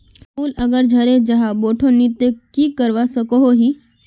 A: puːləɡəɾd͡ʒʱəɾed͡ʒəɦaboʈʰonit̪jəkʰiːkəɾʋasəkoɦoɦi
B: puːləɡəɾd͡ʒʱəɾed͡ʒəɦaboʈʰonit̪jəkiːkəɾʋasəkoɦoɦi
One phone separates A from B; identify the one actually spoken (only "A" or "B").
B